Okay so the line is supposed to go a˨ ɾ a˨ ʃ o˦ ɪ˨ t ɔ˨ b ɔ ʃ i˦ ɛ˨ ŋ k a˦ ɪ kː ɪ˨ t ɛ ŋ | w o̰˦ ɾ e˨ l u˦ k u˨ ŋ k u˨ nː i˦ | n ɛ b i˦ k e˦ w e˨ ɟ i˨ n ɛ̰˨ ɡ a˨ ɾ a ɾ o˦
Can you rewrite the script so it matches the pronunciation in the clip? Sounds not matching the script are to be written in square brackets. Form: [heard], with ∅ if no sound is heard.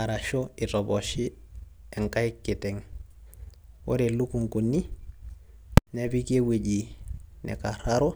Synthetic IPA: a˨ ɾ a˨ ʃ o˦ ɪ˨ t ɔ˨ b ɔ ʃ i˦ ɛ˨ ŋ k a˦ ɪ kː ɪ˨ t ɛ ŋ | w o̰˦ ɾ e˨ l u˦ k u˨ ŋ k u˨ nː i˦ | n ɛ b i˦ k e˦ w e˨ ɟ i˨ n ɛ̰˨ [k] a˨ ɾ a ɾ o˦

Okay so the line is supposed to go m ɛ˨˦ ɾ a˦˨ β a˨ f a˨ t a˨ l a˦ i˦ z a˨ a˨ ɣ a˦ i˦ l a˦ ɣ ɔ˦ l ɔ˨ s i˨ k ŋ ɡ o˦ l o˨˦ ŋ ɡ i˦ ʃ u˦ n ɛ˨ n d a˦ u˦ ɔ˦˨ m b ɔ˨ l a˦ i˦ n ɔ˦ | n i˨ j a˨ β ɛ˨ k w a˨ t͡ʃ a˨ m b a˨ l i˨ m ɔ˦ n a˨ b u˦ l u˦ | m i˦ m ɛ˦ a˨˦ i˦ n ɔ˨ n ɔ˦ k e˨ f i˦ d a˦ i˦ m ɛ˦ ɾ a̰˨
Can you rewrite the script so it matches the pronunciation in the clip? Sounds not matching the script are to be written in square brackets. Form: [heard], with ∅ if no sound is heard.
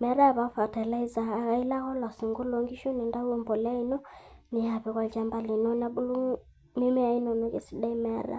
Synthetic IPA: m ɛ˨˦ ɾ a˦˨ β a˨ f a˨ t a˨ l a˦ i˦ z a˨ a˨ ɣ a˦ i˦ l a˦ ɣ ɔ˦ l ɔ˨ s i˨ [∅] ŋ ɡ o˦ l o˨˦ ŋ ɡ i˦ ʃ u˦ n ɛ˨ n d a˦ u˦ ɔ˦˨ m b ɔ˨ l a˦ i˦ n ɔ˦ | n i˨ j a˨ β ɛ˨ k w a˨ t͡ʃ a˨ m b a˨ l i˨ [n] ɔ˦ n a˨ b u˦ l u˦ | m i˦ m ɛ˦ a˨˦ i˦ n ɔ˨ n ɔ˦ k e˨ [s] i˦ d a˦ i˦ m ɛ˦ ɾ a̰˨

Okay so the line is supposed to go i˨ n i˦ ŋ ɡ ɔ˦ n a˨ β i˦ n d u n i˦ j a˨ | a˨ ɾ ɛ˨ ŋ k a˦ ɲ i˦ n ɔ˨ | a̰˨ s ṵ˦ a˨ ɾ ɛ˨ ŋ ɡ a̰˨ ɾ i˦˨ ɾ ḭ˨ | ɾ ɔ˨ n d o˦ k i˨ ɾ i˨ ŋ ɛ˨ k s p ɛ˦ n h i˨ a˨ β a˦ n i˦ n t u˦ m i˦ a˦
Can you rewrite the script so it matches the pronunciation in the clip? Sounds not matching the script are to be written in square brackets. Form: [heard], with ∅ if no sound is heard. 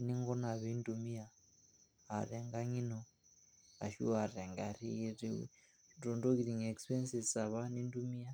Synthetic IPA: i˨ n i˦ ŋ ɡ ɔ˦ n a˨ β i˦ n d u [m] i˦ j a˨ | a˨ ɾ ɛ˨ ŋ [ɡ] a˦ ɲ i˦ n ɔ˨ | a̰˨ [ʃ] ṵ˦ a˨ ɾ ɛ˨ ŋ ɡ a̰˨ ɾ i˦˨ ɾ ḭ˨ | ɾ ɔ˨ n d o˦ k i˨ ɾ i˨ ŋ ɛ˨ k s p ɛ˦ n [s] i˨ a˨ β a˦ n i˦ n [d] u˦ m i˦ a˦

